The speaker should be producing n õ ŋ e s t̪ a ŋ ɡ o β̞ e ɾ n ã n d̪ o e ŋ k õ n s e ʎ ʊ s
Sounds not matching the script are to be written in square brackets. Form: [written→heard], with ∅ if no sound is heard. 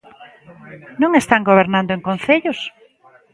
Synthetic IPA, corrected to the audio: n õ ŋ e s t̪ a ŋ ɡ o β̞ e ɾ n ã n d̪ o e ŋ k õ n [s→θ] e ʎ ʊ s